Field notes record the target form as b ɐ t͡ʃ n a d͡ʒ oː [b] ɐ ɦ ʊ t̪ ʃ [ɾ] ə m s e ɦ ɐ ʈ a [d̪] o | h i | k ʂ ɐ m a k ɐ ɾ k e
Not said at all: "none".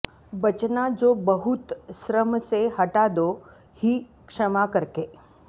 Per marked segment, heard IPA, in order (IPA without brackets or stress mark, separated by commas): b, ɾ, d̪